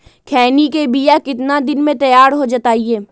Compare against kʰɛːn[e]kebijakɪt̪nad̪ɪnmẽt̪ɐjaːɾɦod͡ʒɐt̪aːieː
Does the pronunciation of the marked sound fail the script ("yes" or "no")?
yes